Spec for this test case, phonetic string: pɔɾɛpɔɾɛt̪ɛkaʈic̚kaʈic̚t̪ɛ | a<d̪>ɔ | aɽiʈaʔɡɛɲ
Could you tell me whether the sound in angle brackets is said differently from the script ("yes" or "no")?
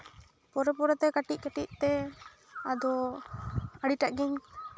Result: no